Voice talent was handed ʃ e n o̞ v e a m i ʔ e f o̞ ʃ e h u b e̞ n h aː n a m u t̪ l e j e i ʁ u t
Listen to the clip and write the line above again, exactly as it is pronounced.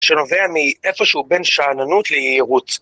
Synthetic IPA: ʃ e n o̞ v e a m i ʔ e f o̞ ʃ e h u b e̞ n ʃ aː n a n u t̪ l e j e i ʁ u t